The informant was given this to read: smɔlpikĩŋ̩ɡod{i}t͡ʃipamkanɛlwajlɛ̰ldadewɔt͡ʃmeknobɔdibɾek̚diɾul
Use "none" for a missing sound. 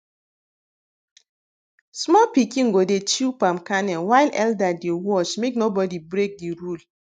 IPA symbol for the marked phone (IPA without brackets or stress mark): e